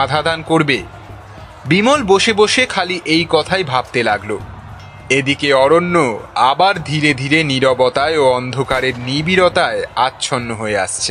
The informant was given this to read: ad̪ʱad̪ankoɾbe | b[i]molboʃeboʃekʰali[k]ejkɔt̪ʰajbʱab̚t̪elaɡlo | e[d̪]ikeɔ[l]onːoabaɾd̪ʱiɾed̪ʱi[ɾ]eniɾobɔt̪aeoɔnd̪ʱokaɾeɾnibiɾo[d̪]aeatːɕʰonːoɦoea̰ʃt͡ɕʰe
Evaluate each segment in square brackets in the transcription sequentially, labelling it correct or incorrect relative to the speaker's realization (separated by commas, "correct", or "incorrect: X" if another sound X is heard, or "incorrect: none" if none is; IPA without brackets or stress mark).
correct, incorrect: ʔ, correct, incorrect: ɾ, correct, incorrect: t̪